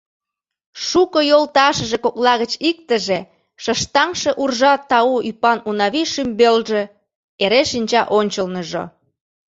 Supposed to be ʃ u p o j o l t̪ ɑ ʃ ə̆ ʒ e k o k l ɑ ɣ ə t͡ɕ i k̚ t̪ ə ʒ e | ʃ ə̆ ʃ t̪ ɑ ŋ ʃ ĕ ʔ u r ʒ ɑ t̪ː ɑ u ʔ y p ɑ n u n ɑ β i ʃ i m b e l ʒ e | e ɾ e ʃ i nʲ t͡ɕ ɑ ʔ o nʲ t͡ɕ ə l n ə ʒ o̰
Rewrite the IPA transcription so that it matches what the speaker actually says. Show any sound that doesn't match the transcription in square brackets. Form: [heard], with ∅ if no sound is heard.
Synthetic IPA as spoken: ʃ u [k] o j o l t̪ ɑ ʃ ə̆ ʒ e k o k l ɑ ɣ ə t͡ɕ i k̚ t̪ ə ʒ e | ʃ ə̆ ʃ t̪ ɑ ŋ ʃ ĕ ʔ u r ʒ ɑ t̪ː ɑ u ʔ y p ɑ n u n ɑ β i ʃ [y] m b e l ʒ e | e ɾ e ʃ i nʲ t͡ɕ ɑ ʔ o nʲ t͡ɕ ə l n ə ʒ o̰